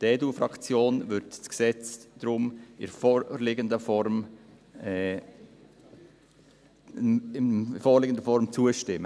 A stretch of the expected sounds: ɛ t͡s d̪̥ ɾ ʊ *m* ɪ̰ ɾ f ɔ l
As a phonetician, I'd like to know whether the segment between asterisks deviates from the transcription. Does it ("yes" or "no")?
no